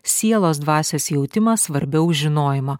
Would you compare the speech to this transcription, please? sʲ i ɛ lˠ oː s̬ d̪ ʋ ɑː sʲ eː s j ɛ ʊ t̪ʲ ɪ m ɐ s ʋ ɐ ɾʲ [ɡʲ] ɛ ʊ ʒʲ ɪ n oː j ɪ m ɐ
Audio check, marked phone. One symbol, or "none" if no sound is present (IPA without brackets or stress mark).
bʲ